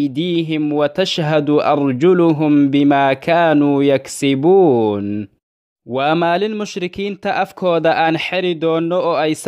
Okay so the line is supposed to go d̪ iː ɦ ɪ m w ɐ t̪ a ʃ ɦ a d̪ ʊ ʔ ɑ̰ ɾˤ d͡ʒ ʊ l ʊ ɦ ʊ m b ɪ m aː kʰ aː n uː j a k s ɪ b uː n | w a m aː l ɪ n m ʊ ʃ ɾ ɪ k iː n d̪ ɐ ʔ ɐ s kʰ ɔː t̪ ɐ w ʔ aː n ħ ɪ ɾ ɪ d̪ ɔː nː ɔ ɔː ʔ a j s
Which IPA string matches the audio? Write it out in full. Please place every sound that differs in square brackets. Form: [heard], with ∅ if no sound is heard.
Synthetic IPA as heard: d̪ iː ɦ ɪ m w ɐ t̪ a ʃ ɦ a d̪ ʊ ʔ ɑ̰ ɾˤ d͡ʒ ʊ l ʊ ɦ ʊ m b ɪ m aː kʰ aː n uː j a k s ɪ b uː n | w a m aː l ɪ n m ʊ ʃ ɾ ɪ k iː n [t̪] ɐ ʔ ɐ [f] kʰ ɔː [d̪] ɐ [∅] ʔ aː n ħ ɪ ɾ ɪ d̪ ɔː nː ɔ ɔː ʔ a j s